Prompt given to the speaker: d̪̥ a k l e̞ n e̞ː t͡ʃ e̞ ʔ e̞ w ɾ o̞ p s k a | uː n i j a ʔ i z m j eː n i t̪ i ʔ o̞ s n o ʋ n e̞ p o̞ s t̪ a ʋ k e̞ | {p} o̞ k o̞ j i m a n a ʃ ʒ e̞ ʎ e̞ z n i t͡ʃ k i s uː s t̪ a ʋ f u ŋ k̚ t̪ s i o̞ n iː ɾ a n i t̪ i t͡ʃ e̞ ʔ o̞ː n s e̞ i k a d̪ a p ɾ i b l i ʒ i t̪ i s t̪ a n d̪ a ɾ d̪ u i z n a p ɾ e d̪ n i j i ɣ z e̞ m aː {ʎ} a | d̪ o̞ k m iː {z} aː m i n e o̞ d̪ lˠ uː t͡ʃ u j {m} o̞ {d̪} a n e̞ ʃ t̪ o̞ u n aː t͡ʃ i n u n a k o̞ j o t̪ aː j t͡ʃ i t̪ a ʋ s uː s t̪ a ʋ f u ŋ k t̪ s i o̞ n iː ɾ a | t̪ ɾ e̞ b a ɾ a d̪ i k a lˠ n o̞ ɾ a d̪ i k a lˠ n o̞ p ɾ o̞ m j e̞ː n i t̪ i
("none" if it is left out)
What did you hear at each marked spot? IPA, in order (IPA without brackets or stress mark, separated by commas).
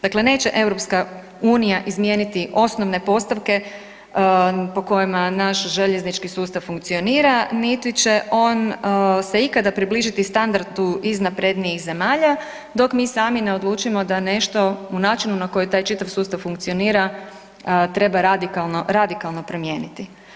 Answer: p, ʎ, s, m, d̪